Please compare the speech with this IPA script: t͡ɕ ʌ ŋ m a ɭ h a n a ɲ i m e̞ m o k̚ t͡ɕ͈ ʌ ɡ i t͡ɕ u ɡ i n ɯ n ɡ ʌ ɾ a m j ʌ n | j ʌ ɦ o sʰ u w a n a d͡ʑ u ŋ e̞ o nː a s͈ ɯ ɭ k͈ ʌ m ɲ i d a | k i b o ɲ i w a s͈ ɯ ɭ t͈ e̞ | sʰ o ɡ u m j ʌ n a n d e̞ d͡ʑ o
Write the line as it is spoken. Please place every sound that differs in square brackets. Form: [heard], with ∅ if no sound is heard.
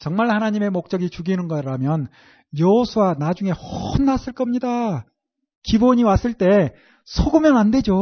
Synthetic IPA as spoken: t͡ɕ ʌ ŋ m a ɭ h a n a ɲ i m e̞ m o k̚ t͡ɕ͈ ʌ ɡ i t͡ɕ u ɡ i n ɯ n ɡ ʌ ɾ a m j ʌ n | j ʌ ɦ o sʰ u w a n a d͡ʑ u ŋ e̞ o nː a s͈ ɯ ɭ k͈ ʌ m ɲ i d a | k i b o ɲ i w a s͈ ɯ ɭ t͈ e̞ | sʰ o ɡ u m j ʌ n a n d e̞ d͡ʑ o